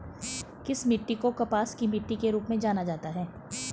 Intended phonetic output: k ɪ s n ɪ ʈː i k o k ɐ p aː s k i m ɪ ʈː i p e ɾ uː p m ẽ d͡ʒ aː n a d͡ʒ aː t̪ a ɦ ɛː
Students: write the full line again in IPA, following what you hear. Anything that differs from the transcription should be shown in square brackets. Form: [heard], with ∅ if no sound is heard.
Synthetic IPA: k ɪ s [m] ɪ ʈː i k o k ɐ p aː s k i m ɪ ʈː i [k] e ɾ uː p m ẽ d͡ʒ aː n a d͡ʒ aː t̪ a ɦ ɛː